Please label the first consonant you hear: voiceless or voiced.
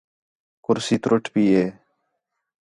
voiceless